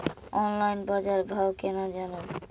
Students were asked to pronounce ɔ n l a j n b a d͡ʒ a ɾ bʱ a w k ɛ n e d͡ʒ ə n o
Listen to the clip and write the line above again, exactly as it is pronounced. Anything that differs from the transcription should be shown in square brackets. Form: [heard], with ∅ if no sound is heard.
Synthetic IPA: ɔ n l a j n b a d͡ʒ a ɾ bʱ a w k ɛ n [a] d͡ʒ [a] n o